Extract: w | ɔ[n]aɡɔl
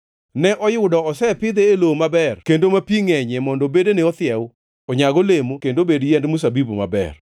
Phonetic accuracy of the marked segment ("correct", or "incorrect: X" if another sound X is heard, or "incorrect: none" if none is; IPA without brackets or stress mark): incorrect: ɲ